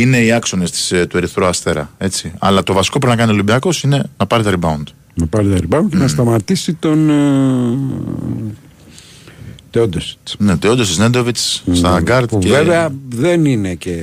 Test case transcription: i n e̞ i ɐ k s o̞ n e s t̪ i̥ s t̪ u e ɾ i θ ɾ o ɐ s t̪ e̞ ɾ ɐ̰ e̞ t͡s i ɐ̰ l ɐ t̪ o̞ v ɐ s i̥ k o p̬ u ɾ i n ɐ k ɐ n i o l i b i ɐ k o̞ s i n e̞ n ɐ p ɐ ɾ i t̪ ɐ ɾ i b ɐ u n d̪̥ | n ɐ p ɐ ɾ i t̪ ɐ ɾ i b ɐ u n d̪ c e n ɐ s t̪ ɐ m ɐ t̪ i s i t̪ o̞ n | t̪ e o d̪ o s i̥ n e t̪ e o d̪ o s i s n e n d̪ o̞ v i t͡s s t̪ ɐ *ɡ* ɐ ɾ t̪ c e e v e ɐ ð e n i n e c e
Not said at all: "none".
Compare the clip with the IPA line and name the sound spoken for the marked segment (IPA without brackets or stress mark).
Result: ɡ